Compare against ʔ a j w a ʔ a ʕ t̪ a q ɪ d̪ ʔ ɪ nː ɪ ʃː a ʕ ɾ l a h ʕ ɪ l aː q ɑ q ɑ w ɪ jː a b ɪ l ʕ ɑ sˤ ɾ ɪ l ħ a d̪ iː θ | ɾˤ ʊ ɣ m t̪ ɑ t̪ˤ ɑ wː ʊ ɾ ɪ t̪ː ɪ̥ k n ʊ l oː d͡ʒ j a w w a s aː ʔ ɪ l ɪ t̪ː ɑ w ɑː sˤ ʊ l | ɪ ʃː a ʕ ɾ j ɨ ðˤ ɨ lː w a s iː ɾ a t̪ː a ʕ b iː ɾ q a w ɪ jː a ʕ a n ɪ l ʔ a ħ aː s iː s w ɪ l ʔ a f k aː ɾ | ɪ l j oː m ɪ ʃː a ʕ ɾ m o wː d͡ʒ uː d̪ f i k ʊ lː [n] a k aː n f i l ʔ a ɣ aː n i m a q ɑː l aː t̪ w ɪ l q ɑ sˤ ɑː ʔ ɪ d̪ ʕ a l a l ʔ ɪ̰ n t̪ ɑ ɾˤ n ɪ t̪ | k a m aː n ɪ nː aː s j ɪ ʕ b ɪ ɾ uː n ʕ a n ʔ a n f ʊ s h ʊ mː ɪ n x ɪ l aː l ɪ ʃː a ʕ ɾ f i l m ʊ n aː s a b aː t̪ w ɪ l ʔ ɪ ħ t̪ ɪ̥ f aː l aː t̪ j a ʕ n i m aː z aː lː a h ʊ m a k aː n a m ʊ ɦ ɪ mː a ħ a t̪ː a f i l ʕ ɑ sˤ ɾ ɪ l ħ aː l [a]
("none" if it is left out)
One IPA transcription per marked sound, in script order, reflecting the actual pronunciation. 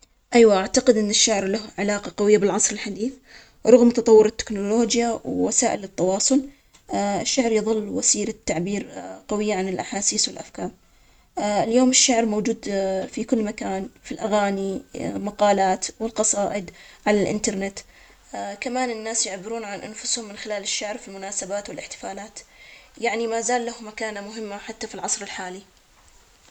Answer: m, i

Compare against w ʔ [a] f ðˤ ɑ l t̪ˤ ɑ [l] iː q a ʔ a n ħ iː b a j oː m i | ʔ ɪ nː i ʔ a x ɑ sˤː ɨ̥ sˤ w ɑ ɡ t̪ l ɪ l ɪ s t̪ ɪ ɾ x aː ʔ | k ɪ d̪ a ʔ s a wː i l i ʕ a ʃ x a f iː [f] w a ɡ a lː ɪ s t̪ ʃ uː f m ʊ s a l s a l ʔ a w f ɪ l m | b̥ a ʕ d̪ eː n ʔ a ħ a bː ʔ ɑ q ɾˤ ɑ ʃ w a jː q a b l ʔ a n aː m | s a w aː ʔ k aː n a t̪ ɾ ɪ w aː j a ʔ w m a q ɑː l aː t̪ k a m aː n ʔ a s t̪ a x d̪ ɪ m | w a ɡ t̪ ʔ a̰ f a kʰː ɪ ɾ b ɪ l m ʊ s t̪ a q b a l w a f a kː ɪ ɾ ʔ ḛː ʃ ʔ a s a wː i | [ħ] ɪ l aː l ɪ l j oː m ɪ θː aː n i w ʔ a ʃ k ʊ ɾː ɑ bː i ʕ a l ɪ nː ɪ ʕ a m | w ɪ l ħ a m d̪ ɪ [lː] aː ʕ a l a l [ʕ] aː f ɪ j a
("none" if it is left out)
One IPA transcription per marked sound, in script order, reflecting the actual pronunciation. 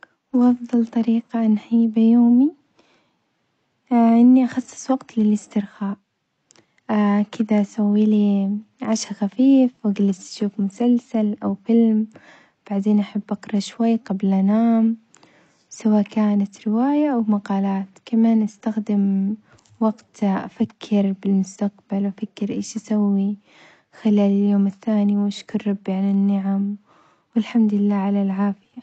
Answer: ɑ, ɾ, f, x, lː, ʕ

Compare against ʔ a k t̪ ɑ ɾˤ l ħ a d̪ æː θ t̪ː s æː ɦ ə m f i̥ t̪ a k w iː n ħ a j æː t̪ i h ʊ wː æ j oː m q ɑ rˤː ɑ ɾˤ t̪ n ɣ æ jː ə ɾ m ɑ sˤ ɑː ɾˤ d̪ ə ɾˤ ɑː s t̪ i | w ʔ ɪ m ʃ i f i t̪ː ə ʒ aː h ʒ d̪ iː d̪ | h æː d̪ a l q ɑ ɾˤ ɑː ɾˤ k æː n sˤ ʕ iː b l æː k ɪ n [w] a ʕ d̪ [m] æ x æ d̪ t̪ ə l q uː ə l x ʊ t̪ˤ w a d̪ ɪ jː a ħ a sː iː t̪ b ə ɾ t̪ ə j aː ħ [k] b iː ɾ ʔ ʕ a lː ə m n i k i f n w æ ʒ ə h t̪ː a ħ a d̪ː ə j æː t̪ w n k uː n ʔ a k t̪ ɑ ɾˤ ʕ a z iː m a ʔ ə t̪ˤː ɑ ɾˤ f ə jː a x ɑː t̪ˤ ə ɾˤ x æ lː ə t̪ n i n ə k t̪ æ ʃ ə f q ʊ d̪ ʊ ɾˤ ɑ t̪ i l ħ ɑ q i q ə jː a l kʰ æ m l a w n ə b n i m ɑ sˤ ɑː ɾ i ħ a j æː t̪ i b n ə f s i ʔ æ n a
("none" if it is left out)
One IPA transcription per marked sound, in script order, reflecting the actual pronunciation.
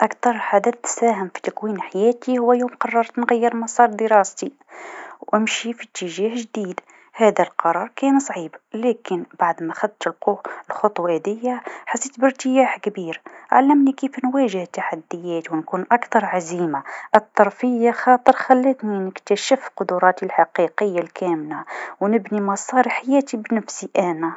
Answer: b, m, k

